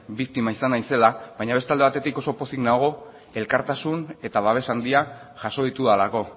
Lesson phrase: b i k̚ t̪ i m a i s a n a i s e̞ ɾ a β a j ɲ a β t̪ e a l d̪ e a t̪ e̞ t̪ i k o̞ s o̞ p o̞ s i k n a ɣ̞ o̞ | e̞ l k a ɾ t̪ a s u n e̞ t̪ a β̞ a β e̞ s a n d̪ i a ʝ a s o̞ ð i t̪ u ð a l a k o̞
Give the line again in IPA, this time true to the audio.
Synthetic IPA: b i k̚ t̪ i m a i s a n a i s e̞ l a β a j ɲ a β t̪ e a l d̪ e a t̪ e̞ t̪ i k o̞ s o̞ p o̞ s i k n a ɣ̞ o̞ | e̞ l k a ɾ t̪ a s u n e̞ t̪ a β̞ a β e̞ s a n d̪ i a ʝ a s o̞ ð i t̪ u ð a l a k o̞